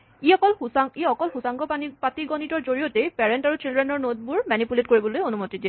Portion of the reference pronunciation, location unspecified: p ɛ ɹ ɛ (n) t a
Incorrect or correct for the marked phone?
correct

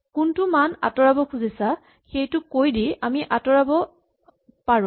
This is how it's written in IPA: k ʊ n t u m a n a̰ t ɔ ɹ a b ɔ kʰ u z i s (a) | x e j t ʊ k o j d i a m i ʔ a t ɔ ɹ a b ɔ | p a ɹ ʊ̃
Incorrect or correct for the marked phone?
correct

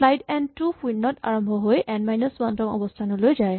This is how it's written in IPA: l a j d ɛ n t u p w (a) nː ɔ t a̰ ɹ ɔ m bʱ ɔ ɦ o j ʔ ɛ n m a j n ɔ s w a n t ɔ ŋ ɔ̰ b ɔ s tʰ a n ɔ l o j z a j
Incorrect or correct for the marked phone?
incorrect: i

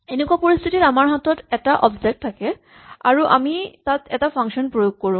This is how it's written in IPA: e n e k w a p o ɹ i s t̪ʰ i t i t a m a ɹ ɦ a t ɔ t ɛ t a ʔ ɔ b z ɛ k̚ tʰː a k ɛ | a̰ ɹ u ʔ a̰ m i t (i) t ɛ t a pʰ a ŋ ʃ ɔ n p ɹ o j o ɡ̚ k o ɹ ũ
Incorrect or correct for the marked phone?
incorrect: a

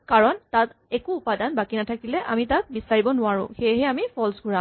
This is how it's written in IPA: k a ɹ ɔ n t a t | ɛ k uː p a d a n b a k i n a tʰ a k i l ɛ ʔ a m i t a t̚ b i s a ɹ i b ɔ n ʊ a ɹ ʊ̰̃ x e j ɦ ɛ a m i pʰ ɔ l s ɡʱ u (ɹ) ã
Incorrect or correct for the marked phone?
correct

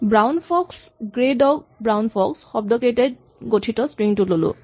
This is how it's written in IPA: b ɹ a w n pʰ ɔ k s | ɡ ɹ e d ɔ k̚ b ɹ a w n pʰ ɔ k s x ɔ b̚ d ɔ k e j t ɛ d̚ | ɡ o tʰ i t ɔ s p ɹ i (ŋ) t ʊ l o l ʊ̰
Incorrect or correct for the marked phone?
correct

